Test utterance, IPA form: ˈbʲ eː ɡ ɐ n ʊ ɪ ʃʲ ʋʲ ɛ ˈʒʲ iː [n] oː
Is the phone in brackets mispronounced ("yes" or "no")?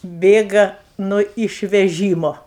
yes